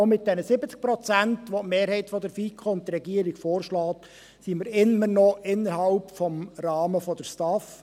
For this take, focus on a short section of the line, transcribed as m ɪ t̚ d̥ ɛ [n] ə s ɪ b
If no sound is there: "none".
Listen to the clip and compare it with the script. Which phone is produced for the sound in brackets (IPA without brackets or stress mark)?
n